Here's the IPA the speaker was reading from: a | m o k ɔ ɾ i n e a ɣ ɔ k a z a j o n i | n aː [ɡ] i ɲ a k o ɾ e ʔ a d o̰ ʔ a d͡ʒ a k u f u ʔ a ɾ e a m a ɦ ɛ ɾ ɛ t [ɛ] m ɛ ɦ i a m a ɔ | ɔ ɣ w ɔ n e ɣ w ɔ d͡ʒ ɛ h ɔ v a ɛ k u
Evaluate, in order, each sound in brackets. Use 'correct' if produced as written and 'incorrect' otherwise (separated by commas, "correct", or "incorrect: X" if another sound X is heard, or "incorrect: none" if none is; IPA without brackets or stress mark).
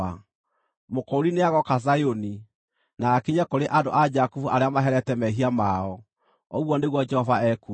incorrect: k, correct